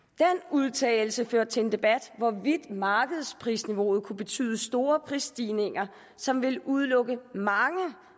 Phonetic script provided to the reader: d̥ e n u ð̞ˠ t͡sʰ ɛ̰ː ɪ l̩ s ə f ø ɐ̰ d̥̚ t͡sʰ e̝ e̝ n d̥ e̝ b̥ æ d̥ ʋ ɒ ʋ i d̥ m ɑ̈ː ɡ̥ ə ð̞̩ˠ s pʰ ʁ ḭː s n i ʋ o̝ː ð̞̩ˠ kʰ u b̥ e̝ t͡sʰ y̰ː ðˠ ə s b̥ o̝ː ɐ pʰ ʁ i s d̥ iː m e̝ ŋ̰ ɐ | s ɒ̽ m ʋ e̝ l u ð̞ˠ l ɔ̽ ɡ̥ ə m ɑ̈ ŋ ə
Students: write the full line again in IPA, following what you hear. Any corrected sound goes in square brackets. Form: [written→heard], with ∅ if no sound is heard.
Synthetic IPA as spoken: d̥ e n u ð̞ˠ t͡sʰ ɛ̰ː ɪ l̩ s ə f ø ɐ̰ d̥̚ t͡sʰ e̝ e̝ n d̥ e̝ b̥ æ d̥ ʋ ɒ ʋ i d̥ m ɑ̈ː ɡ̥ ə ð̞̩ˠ s pʰ ʁ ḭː s n i ʋ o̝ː ð̞̩ˠ kʰ u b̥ e̝ t͡sʰ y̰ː ðˠ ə s [b̥→d̥] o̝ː ɐ pʰ ʁ i s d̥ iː [m→n] e̝ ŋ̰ ɐ | s ɒ̽ m ʋ e̝ l u ð̞ˠ l ɔ̽ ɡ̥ ə m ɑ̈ ŋ ə